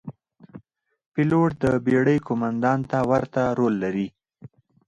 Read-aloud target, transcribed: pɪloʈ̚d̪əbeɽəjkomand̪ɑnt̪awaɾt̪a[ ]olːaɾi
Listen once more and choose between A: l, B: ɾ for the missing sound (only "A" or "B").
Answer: B